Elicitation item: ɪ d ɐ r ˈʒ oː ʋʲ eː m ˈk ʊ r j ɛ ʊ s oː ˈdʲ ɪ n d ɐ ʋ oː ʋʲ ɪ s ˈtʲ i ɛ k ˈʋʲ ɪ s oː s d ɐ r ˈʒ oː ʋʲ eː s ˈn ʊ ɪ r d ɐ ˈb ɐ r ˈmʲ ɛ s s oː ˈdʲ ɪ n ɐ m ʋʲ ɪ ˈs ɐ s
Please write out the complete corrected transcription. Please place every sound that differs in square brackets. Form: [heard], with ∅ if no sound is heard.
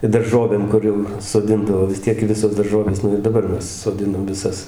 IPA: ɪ d ɐ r ˈʒ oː ʋʲ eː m ˈk ʊ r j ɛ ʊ s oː ˈdʲ ɪ n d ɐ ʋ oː ʋʲ ɪ s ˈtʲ i ɛ k ˈʋʲ ɪ s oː s d ɐ r ˈʒ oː ʋʲ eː s ˈn ʊ ɪ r d ɐ ˈb ɐ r ˈmʲ ɛ s s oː ˈdʲ ɪ n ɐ m ʋʲ ɪ ˈs ɐ s